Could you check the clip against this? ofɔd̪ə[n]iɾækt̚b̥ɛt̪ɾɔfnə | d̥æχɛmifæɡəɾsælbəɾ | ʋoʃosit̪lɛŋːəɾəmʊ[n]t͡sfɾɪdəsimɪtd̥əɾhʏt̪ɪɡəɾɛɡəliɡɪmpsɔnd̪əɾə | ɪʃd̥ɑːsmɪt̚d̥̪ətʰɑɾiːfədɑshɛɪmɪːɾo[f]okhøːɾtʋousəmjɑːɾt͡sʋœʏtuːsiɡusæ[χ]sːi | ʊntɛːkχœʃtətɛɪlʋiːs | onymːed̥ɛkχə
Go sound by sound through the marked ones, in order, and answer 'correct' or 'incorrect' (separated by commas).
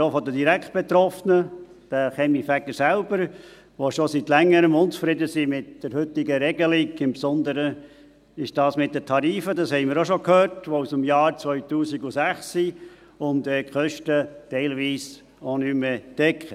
incorrect, correct, incorrect, correct